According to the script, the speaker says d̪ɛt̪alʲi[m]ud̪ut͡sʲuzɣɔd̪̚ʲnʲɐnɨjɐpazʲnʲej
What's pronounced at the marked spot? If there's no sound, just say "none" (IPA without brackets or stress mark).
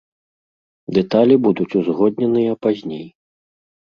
b